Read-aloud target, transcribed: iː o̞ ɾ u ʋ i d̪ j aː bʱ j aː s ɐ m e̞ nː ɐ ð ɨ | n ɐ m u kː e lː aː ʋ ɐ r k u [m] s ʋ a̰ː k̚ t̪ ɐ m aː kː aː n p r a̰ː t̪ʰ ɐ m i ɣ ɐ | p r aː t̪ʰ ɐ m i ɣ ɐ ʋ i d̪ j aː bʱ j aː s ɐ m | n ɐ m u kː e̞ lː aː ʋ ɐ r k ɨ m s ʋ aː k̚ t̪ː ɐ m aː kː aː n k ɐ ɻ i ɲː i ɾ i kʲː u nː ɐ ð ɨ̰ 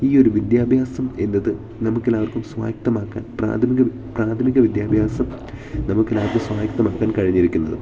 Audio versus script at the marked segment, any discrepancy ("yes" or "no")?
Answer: no